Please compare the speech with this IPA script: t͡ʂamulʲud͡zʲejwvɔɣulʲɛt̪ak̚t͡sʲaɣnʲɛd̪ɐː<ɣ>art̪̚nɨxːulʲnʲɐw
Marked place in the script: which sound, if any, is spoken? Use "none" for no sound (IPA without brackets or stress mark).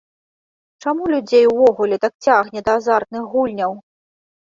z